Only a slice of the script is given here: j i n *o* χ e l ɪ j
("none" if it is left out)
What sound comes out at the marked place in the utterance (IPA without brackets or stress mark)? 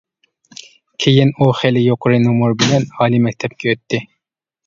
u